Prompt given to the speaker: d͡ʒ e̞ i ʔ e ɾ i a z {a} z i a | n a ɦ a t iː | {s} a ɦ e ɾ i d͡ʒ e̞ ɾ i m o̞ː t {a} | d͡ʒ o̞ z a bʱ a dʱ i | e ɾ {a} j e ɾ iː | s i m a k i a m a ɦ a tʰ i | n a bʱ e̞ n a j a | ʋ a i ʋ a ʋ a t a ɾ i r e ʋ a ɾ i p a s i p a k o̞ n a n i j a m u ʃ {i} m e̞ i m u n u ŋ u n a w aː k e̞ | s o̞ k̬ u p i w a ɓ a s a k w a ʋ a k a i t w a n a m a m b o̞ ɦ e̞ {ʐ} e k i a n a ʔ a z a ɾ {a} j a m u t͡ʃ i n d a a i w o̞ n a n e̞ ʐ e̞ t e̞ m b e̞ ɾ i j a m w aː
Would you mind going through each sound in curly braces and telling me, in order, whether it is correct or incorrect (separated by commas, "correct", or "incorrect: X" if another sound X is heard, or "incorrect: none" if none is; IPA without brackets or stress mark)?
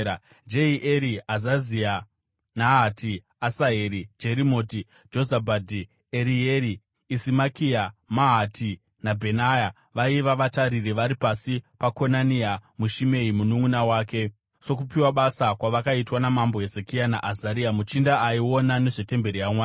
correct, correct, incorrect: i, incorrect: i, correct, incorrect: z, incorrect: i